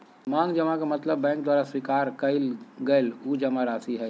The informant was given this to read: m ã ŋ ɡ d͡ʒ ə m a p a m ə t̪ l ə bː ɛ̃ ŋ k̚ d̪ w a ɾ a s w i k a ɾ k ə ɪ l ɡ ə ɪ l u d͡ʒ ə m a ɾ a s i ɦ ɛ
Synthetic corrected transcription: m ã ŋ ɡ d͡ʒ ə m a k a m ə t̪ l ə bː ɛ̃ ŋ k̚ d̪ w a ɾ a s w i k a ɾ k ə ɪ l ɡ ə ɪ l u d͡ʒ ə m a ɾ a s i ɦ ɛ